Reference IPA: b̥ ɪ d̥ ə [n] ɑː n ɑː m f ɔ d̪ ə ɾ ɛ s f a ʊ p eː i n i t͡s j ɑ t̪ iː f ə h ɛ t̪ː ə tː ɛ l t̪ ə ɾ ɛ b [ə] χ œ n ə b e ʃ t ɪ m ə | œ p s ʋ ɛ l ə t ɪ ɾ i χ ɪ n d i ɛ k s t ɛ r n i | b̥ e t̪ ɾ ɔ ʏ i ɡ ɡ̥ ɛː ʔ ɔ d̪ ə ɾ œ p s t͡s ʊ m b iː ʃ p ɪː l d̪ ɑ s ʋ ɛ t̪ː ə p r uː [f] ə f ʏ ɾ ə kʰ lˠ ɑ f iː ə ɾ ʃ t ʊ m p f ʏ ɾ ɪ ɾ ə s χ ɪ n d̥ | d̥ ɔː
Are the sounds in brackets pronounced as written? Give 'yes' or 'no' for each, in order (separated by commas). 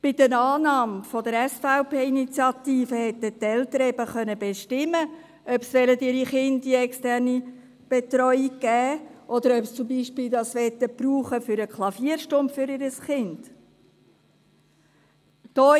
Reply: yes, yes, no